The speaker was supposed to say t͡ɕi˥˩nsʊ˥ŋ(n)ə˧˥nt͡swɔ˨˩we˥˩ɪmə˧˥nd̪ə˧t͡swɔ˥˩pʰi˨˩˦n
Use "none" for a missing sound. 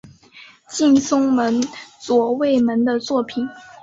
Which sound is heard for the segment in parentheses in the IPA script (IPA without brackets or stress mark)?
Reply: m